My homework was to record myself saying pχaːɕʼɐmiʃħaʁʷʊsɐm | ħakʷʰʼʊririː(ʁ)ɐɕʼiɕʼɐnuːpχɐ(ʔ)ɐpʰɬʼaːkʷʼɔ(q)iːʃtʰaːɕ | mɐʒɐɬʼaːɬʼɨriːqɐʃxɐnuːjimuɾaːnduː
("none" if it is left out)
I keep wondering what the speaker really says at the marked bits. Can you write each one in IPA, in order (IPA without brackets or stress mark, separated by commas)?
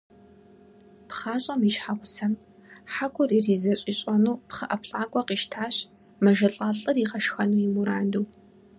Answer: z, ʔ, q